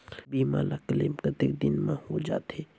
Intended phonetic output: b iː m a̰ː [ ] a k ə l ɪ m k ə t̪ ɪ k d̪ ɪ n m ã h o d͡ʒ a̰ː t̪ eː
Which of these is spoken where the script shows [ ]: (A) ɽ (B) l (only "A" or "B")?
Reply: B